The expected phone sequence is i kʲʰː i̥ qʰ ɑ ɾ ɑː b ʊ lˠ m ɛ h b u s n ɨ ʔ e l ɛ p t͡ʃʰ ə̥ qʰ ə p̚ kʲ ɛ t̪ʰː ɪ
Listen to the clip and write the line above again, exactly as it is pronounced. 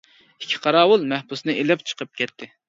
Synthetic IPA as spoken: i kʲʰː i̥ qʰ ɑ ɾ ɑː w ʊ lˠ m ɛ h b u s n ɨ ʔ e l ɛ p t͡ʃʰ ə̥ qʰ ə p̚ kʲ ɛ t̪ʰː ɪ